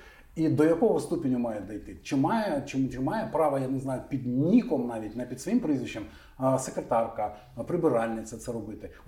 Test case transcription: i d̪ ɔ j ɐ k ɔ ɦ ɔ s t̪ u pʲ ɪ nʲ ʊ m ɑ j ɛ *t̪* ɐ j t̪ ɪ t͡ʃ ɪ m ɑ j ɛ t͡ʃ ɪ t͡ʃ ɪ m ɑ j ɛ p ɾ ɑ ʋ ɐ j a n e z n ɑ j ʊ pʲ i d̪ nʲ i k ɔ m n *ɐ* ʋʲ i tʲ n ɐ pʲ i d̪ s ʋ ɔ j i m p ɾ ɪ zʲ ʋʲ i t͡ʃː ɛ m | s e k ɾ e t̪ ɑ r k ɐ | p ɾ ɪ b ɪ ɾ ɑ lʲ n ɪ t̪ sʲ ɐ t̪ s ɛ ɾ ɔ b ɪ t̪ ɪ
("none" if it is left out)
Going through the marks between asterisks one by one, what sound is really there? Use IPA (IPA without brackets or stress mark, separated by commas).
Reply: d̪, ɑ